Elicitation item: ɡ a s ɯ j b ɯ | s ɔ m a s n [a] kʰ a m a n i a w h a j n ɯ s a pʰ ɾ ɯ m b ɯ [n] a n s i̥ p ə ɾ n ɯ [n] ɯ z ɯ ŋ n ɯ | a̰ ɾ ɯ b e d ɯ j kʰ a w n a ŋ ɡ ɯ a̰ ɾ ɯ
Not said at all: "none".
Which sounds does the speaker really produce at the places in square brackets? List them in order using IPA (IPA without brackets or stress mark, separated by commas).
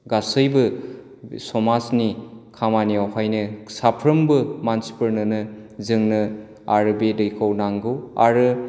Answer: i, m, n